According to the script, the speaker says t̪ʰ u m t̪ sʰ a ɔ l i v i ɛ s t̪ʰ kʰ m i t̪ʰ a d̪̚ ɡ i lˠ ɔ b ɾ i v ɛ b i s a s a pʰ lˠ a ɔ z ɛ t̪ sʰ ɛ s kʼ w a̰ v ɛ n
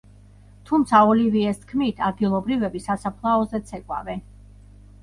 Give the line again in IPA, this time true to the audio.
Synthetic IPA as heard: t̪ʰ u m t̪ sʰ a ɔ l i v i ɛ s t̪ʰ kʰ m i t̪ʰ a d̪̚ ɡ i lˠ ɔ b ɾ i v ɛ b i s a s a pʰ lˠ a ɔ z ɛ t̪ sʰ ɛ kʼ w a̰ v ɛ n